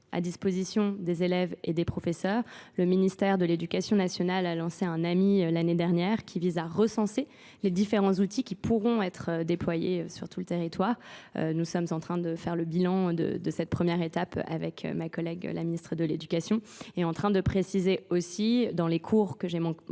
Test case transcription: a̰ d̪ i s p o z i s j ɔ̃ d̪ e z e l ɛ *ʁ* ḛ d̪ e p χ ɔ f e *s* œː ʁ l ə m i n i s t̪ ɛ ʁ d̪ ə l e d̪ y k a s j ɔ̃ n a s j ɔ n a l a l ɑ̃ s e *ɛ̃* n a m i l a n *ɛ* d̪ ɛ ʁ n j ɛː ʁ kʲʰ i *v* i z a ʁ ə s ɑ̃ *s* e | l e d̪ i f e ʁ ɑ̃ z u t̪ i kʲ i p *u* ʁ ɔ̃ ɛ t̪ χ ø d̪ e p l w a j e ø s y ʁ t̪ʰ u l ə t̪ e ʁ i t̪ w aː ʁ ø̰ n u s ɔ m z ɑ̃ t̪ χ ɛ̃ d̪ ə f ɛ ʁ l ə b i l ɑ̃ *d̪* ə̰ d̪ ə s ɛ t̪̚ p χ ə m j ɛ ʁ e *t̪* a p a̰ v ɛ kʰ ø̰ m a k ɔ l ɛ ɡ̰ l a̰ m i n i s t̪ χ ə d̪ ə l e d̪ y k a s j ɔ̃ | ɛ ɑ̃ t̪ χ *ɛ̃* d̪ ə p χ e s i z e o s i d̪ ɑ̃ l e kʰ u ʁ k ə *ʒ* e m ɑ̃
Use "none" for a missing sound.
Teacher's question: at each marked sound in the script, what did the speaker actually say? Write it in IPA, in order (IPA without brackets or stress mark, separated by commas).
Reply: v, s, ɛ̃, e, v, s, u, d̪, t̪, ɛ̃, ʒ